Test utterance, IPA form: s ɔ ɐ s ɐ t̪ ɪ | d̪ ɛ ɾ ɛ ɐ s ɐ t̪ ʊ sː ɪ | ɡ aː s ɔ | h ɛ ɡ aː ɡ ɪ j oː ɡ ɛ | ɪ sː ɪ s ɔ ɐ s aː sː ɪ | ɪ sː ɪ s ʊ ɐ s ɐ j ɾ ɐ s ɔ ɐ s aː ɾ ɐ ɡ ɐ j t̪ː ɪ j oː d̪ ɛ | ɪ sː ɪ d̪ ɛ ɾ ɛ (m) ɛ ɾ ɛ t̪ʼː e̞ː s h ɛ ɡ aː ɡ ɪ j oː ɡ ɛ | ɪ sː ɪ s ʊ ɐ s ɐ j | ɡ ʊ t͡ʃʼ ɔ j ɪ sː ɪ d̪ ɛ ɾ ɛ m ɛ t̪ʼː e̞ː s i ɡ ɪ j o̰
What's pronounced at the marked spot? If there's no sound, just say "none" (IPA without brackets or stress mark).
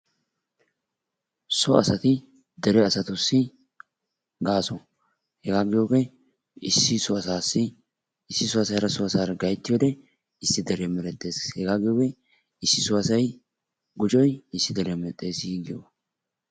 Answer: m